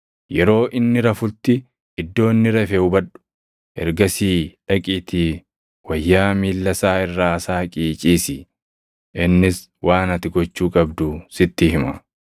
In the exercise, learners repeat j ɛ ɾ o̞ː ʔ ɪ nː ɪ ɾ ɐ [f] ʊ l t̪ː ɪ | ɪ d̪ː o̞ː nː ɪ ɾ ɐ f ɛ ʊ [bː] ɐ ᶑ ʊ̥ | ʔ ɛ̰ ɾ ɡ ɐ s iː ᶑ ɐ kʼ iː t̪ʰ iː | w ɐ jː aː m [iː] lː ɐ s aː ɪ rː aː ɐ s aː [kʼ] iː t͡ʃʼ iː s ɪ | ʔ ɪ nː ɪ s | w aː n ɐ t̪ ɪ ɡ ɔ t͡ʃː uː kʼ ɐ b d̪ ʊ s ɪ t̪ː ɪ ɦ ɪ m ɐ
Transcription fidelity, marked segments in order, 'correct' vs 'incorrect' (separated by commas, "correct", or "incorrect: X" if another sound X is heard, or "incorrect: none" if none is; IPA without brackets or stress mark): correct, incorrect: b, correct, correct